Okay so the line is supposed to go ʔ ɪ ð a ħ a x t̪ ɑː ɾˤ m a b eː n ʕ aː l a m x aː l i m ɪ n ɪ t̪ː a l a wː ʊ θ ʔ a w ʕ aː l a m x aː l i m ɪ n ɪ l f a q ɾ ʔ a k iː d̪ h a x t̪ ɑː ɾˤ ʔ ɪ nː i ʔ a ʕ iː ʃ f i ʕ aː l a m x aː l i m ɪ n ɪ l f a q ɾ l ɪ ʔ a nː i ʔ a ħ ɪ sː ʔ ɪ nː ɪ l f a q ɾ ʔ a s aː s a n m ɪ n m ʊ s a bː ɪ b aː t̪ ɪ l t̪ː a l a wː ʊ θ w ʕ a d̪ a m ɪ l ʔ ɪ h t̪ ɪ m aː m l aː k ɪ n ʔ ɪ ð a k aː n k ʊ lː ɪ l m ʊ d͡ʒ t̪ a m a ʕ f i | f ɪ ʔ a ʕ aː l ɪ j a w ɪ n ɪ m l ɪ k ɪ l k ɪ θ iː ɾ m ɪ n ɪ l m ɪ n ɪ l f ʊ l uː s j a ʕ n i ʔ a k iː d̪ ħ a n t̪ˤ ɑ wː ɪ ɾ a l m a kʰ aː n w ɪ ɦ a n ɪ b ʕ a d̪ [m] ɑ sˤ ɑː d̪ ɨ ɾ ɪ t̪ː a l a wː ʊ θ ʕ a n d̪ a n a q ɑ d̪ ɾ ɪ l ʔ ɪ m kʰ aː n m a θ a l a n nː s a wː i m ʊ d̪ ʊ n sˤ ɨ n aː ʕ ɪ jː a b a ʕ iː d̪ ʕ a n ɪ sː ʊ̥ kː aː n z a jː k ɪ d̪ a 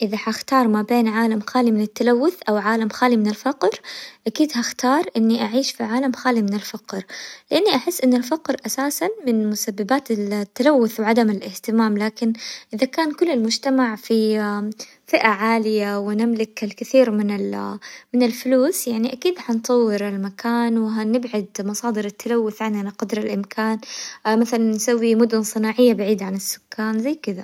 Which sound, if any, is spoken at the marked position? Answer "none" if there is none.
m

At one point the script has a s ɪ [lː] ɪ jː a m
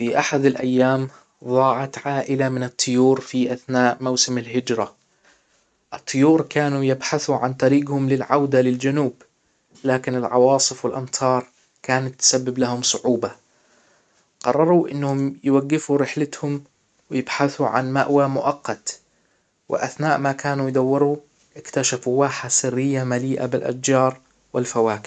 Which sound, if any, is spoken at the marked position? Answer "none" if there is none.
rː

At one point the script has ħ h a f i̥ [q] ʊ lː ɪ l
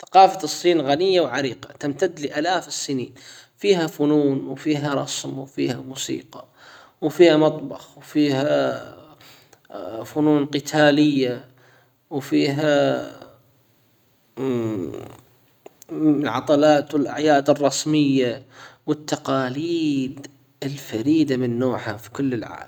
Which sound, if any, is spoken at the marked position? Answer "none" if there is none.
k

